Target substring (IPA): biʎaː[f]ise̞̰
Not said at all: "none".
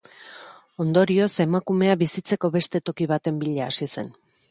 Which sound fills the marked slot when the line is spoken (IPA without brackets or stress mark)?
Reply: s